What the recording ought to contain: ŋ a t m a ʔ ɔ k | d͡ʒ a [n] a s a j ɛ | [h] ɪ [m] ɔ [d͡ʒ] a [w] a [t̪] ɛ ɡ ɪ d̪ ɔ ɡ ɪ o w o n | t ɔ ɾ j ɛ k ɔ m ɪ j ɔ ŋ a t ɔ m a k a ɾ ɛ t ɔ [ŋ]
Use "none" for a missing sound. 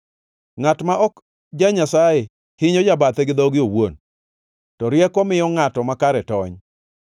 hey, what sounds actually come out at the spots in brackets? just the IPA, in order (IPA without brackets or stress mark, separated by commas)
ɲ, h, ɲ, d͡ʒ, b, t̪, ɲ